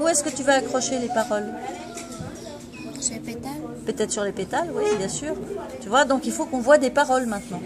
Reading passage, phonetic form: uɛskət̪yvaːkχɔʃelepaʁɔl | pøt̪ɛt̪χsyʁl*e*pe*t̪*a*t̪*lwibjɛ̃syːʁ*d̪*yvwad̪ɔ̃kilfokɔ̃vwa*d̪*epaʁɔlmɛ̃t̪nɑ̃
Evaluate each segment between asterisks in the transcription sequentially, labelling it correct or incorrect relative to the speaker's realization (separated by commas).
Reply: correct, correct, incorrect, incorrect, correct